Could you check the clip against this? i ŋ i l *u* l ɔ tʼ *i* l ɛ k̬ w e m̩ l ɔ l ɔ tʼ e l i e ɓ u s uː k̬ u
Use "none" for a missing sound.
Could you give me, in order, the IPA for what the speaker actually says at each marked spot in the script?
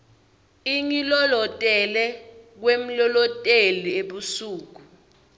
ɔ, ɛ

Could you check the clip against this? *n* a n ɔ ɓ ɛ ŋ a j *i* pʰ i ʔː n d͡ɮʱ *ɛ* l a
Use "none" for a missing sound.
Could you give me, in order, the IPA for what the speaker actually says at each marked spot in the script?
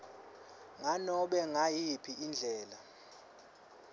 ŋ, i, ɛː

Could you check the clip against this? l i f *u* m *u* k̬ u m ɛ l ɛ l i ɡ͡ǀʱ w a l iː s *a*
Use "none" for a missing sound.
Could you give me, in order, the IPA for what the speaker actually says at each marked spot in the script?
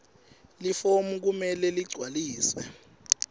o, u, ɛ

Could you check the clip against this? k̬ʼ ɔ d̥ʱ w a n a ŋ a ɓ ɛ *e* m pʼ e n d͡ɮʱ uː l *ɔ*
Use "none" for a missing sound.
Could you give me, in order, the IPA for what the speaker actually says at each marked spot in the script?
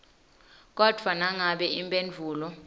i, ɔ

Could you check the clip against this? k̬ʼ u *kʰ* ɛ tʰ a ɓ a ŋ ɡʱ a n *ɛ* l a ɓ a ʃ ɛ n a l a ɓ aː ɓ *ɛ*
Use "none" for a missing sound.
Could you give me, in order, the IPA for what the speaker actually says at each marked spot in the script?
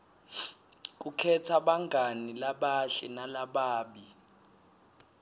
kʰ, i, i

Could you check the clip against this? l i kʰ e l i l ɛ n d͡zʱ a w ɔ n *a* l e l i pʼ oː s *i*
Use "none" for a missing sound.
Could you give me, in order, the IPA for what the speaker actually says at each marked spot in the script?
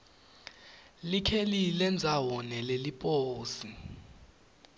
ɛ, i

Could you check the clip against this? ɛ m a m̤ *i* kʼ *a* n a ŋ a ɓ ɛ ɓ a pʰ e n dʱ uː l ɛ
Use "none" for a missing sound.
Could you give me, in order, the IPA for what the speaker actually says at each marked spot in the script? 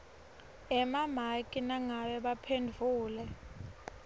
a, i

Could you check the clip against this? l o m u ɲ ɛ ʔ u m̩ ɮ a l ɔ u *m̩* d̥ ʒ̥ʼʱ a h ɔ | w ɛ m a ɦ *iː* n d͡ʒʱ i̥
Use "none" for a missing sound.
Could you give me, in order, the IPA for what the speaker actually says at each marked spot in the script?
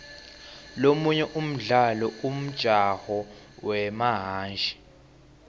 m̩, aː

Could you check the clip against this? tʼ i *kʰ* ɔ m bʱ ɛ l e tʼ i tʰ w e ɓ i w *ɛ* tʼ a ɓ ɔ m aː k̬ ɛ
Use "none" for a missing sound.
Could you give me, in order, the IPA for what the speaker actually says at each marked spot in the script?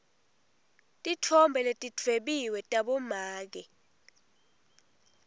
tʰ, ɛ

